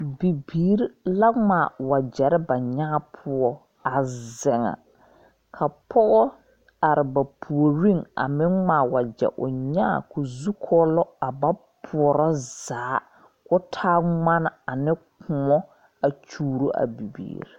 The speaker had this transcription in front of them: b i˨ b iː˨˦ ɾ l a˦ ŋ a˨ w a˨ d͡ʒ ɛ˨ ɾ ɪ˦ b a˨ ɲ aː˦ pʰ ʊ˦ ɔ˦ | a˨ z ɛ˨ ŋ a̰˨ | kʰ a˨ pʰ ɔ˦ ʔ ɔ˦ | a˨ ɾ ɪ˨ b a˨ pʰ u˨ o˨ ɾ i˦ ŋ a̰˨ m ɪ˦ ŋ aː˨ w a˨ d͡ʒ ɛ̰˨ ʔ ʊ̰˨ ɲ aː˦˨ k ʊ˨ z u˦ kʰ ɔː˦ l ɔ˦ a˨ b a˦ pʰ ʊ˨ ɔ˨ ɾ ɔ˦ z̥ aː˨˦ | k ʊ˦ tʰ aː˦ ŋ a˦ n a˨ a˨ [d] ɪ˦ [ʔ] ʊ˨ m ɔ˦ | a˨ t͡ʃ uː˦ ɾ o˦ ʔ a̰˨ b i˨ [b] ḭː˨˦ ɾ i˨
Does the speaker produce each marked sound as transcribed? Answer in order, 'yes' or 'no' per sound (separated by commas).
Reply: no, no, yes